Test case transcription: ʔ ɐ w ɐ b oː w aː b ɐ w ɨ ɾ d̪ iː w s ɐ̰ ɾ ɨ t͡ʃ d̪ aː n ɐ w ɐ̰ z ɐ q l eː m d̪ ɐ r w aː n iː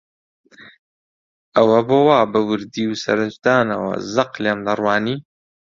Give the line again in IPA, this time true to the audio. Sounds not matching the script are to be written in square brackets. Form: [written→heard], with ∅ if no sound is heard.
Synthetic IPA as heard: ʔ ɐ w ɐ b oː w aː b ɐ w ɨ ɾ d̪ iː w s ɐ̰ ɾ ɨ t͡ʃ d̪ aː n ɐ w ɐ̰ z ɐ q l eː m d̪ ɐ r w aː n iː